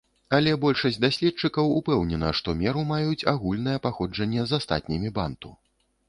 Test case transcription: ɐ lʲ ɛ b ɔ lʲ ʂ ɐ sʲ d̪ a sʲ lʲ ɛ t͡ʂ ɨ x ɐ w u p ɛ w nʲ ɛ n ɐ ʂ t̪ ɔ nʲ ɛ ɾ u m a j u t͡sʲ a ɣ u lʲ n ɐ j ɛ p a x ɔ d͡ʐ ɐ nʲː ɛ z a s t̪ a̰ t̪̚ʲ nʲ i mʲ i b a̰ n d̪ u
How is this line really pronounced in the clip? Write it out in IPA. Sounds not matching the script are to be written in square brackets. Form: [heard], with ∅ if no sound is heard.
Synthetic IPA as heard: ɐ lʲ ɛ b ɔ lʲ ʂ ɐ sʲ d̪ a sʲ lʲ ɛ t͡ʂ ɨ [k] ɐ w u p ɛ w nʲ ɛ n ɐ ʂ t̪ ɔ [mʲ] ɛ ɾ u m a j u t͡sʲ a ɣ u lʲ n ɐ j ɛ p a x ɔ d͡ʐ ɐ nʲː ɛ z a s t̪ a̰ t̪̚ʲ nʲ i mʲ i b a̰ n [t̪] u